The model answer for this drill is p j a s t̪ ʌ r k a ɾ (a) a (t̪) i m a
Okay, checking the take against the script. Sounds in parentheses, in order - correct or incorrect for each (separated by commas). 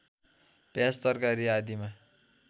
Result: incorrect, incorrect